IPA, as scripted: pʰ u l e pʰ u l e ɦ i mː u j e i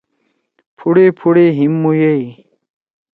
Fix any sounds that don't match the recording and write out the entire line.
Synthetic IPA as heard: pʰ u ɽ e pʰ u ɽ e ɦ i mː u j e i

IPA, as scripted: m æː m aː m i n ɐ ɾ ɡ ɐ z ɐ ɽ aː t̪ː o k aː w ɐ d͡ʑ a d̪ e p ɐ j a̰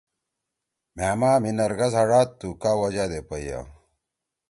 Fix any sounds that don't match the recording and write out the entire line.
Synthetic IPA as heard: m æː m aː m i n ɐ ɾ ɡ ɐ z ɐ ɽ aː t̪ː u k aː w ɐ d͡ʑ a d̪ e p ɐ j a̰

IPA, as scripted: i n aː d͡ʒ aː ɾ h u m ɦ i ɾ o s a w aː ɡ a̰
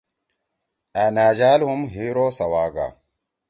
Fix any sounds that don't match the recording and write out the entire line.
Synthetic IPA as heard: a n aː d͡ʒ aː l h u m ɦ i ɾ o s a w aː ɡ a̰

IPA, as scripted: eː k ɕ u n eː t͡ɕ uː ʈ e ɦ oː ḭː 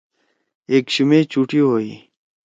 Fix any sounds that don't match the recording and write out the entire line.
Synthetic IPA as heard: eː k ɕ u m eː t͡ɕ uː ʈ i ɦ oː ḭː

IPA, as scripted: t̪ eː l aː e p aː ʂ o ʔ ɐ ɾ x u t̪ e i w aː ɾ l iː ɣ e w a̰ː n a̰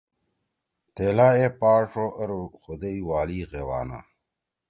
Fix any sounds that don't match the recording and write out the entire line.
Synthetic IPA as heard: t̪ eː l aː e p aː ʂ o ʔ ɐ ɾ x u d̪ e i w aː l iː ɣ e w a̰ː n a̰

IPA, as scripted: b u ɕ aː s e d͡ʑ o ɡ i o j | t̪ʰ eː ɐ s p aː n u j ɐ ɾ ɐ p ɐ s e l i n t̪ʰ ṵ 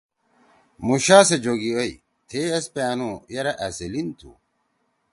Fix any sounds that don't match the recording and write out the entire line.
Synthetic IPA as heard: m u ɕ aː s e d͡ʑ o ɡ i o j | t̪ʰ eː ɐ s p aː n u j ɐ ɾ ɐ ʔ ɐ s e l i n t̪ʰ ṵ

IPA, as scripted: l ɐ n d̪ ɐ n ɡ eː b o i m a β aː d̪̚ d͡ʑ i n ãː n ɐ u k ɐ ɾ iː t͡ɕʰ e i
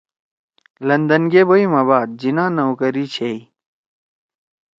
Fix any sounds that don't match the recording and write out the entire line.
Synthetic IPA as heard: l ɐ n d̪ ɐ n ɡ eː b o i m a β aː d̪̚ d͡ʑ i n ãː n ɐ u k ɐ ɾ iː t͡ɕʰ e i

